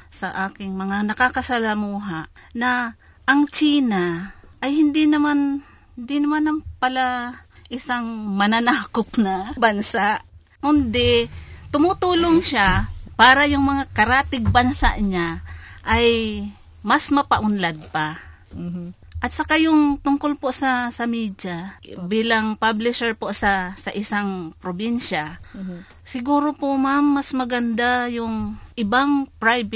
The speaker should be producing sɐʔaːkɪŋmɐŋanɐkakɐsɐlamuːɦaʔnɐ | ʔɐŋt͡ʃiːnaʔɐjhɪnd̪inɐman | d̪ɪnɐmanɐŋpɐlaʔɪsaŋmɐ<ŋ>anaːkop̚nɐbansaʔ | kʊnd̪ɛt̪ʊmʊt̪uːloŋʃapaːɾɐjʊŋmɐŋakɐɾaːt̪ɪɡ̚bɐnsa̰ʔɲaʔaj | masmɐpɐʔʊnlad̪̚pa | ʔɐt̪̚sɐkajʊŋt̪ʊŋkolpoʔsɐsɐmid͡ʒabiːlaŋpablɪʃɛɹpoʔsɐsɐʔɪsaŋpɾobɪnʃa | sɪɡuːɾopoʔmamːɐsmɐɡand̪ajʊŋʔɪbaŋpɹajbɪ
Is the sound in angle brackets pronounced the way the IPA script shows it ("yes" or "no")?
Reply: no